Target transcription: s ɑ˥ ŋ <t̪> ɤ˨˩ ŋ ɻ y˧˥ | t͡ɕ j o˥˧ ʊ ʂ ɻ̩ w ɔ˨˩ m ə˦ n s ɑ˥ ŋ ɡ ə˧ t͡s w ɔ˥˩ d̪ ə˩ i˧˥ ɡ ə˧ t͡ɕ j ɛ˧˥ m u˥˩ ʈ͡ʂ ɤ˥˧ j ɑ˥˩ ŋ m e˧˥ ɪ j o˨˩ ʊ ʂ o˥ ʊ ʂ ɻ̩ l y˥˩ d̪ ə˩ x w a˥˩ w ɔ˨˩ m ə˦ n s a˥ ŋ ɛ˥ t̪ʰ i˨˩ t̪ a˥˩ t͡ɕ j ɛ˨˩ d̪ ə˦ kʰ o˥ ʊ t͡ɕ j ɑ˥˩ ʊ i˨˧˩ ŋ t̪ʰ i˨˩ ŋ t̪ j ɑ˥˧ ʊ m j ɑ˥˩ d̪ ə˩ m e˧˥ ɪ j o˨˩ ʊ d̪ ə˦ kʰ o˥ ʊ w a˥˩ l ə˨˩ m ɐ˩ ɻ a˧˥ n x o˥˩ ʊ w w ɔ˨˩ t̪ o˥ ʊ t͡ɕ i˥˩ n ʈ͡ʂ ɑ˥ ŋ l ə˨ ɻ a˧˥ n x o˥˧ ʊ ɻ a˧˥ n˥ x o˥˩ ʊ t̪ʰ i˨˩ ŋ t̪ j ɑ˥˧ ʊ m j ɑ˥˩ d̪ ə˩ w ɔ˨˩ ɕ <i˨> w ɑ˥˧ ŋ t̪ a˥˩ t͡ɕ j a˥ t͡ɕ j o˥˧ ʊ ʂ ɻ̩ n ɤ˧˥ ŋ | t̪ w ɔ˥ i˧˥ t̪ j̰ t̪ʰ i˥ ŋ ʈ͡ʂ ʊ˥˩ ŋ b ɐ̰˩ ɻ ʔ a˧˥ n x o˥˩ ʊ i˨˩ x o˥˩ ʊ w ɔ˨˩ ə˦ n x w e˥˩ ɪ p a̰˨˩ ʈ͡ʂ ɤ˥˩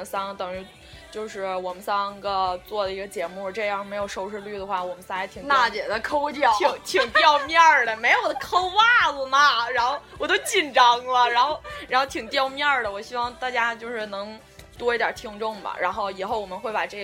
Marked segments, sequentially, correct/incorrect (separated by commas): correct, incorrect